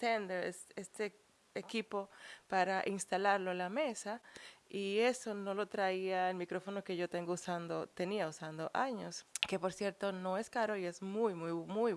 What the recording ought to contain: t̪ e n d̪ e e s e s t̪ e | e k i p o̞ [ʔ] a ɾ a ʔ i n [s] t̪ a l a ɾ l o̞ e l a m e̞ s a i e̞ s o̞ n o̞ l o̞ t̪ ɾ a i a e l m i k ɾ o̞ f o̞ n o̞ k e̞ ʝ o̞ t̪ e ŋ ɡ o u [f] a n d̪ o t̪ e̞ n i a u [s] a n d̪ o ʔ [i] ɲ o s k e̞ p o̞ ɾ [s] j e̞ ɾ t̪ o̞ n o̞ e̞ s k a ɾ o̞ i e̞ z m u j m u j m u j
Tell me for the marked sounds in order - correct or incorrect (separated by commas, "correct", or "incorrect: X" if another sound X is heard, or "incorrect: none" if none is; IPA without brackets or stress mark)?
incorrect: p, correct, incorrect: s, correct, incorrect: a, correct